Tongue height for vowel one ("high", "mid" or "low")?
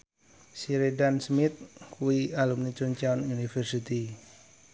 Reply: high